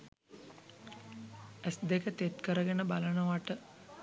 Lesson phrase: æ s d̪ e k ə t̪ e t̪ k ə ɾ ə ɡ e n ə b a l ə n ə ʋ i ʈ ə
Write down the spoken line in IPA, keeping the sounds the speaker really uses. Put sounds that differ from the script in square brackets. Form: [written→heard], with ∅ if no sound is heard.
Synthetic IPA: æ s d̪ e k ə t̪ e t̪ k ə ɾ ə ɡ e n ə b a l ə n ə ʋ [i→a] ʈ ə

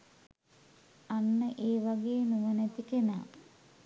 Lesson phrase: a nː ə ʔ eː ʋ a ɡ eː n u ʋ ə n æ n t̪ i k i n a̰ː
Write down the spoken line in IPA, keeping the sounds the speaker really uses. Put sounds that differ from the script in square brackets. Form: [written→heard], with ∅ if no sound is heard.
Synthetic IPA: a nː ə ʔ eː ʋ a ɡ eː n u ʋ ə n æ [n→∅] t̪ i k [i→e] n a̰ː

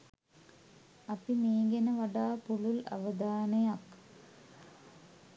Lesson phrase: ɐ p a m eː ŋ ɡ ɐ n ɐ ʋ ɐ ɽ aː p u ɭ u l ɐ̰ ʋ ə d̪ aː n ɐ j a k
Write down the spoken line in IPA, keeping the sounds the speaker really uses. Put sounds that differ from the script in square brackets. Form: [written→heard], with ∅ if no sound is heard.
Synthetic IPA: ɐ p [a→i] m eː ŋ ɡ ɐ n ɐ ʋ ɐ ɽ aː p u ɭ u l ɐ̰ ʋ [ə→ɐ] d̪ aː n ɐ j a k

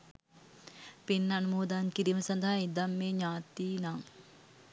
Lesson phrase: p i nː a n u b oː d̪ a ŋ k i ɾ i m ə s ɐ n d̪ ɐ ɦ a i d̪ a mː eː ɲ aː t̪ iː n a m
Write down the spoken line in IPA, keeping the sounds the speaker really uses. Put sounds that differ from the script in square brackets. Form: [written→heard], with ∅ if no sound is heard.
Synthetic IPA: p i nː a n u [b→m] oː d̪ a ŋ k i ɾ i m ə s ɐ n d̪ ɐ ɦ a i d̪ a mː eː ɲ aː t̪ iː n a [m→ŋ]

